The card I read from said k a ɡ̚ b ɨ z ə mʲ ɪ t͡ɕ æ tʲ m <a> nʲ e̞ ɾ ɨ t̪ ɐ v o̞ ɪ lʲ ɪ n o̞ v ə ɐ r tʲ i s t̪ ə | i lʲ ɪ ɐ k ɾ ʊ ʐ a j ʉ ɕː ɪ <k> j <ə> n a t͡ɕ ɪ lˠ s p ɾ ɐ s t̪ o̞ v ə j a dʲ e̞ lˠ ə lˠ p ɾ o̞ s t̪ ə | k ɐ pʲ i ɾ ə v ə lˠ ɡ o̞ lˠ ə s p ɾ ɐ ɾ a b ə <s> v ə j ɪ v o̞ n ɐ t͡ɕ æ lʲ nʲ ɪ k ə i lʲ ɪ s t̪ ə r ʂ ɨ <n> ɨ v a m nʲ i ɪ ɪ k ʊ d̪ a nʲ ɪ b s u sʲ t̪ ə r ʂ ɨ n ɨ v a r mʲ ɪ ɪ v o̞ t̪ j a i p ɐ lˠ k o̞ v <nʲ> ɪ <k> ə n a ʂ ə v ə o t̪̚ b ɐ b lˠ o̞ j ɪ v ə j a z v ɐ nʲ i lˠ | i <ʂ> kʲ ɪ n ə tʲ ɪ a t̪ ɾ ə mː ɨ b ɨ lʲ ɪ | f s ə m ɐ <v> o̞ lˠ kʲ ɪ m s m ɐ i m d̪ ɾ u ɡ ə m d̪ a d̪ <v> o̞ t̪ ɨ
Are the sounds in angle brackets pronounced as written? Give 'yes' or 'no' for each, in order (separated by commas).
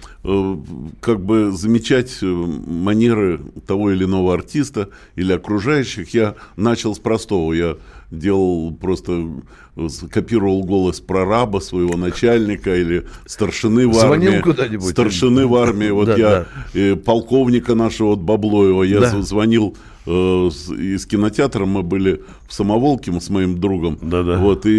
no, no, no, yes, yes, yes, yes, no, yes, yes